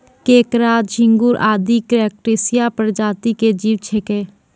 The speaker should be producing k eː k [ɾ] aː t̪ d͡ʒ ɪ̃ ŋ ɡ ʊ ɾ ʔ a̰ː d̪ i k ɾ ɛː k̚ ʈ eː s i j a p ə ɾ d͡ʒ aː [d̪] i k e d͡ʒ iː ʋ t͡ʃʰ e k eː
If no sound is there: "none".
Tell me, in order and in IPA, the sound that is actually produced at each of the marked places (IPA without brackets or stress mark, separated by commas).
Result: ɾ, t̪